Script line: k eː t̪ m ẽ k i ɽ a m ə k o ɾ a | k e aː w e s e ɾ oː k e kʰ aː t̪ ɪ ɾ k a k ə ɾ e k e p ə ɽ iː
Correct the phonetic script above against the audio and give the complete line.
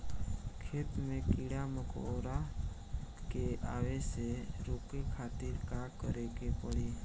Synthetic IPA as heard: kʰ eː t̪ m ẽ k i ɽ a m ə k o ɾ a | k e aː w e s e ɾ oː k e kʰ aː t̪ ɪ ɾ k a k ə ɾ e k e p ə ɽ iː